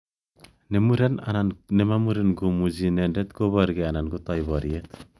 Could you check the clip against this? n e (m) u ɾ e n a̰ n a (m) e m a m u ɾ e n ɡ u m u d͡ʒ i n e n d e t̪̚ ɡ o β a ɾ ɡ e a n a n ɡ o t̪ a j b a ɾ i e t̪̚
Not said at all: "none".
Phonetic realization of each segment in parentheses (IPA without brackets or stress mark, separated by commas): m, n